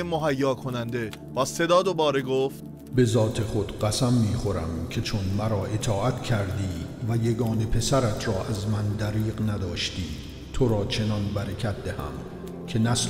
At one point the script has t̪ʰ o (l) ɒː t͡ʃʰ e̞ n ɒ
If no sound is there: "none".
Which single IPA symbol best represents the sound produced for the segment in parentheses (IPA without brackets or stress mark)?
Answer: ɾ